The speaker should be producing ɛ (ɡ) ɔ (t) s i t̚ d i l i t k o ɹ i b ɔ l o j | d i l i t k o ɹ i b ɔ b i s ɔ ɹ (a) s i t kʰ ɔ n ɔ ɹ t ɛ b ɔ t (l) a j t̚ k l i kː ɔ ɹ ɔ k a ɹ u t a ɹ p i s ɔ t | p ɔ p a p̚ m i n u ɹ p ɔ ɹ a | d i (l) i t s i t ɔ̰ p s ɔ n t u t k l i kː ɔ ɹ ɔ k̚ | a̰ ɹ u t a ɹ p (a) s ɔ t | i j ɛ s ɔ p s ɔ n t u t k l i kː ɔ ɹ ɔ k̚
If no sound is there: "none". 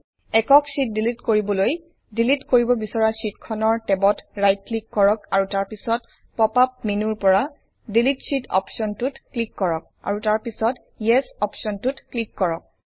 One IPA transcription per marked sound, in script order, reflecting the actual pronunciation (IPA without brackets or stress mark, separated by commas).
k, k, a, ɹ, l, i